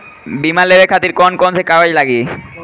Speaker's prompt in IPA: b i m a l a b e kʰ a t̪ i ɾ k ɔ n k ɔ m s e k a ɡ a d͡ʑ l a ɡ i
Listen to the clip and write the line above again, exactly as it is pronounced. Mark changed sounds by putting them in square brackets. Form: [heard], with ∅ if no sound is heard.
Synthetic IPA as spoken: b i m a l [e] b e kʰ a t̪ i ɾ k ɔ n k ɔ [n] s e k a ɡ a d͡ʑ l a ɡ i